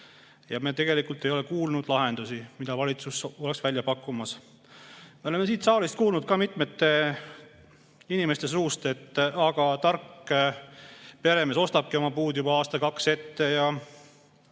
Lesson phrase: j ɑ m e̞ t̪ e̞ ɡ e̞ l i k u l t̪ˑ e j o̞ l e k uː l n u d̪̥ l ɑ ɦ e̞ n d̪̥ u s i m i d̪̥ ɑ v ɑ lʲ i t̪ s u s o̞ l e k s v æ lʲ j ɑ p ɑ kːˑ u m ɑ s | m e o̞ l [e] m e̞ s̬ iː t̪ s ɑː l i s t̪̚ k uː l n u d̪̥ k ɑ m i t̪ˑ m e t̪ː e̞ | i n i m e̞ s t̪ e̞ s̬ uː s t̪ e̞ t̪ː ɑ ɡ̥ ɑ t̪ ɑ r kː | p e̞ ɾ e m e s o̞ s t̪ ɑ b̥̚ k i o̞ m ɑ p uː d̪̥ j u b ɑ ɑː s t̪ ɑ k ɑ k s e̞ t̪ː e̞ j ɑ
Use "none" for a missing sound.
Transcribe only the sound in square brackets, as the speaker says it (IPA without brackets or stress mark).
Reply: e